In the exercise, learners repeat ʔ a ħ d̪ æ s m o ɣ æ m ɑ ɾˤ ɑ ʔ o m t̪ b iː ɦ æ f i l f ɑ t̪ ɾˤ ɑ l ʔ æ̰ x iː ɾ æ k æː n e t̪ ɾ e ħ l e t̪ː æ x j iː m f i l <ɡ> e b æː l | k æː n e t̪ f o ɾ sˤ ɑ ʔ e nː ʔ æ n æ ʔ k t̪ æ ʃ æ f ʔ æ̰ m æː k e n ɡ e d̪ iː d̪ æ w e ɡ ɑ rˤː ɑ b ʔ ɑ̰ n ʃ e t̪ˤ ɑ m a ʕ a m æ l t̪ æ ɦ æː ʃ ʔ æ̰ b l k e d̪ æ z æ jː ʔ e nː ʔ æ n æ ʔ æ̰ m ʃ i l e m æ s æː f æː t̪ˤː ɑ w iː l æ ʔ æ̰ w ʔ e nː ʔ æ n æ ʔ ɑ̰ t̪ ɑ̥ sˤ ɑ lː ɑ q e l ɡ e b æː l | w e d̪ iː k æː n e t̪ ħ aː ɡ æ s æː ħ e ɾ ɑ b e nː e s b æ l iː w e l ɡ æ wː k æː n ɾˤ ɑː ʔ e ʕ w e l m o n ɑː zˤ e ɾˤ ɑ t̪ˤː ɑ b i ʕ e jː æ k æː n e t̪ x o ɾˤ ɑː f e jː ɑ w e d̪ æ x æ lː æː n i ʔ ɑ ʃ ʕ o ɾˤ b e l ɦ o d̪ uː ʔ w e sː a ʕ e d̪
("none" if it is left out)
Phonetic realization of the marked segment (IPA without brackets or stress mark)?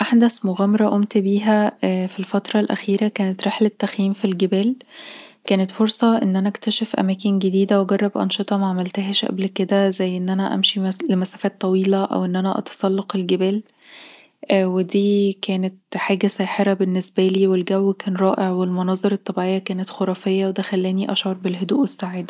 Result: ɡ